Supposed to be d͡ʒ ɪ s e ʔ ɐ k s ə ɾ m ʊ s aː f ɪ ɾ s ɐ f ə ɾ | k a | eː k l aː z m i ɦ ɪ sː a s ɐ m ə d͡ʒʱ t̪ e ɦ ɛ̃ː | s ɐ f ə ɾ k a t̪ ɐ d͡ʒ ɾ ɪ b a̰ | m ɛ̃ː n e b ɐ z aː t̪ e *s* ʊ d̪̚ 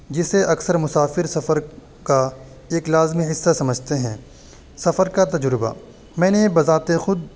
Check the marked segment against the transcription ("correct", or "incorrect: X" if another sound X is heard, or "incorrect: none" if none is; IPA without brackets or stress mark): incorrect: x